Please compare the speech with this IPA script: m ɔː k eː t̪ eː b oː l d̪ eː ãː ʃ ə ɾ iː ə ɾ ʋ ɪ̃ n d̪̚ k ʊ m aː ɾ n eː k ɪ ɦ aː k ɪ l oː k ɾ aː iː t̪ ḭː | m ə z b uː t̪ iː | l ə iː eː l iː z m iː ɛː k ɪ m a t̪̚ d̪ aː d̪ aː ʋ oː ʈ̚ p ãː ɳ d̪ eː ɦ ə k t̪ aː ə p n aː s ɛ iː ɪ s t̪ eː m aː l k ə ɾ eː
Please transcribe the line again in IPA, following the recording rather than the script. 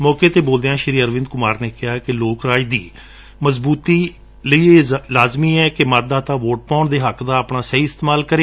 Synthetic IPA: m ɔː k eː t̪ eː b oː l d̪ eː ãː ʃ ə ɾ iː ə ɾ ʋ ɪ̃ n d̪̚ k ʊ m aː ɾ n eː k ɪ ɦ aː k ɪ l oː k ɾ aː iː d̪ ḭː | m ə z b uː t̪ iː | l ə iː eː l aː z m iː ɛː k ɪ m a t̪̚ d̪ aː t̪ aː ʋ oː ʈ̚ p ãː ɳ d̪ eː ɦ ə k d̪ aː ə p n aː s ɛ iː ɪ s t̪ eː m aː l k ə ɾ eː